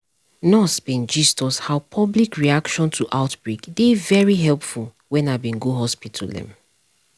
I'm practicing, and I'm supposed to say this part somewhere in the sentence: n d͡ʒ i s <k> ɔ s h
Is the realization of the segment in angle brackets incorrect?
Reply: yes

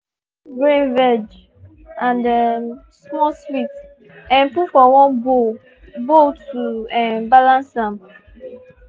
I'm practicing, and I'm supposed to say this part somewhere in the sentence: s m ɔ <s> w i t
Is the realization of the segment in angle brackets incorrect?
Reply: no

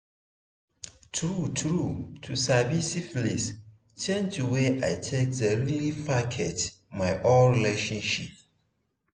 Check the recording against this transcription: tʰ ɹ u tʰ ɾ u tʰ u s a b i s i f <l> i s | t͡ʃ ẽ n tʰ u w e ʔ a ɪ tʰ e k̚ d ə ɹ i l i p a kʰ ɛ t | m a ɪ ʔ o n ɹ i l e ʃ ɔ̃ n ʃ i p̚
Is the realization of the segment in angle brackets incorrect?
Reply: no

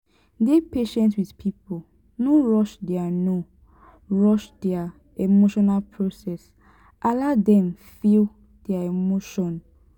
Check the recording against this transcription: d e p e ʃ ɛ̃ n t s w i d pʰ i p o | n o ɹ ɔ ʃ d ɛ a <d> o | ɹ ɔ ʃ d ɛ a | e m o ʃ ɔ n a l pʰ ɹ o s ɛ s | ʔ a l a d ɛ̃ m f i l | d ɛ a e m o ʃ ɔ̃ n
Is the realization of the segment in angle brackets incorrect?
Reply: yes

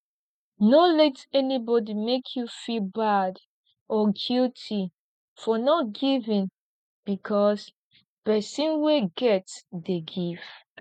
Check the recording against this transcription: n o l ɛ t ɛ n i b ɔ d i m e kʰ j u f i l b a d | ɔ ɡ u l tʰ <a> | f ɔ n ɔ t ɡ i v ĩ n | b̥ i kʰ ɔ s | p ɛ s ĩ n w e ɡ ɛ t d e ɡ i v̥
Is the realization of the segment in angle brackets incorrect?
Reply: yes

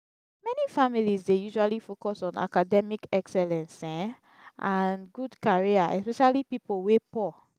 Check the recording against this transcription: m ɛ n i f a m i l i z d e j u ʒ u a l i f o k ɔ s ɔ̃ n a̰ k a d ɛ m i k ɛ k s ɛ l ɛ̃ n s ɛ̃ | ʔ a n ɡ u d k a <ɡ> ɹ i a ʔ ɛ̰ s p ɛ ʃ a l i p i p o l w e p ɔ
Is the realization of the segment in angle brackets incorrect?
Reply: yes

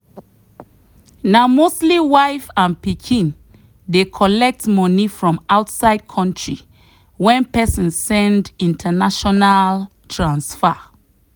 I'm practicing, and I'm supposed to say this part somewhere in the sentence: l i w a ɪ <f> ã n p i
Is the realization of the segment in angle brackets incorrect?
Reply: no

